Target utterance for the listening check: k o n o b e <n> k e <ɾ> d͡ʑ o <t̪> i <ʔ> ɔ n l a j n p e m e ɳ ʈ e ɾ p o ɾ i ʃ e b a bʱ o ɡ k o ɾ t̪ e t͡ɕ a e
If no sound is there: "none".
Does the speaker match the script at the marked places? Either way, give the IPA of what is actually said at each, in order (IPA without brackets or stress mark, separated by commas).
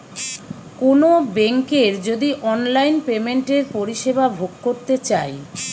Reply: ŋ, ɾ, d̪, ʔ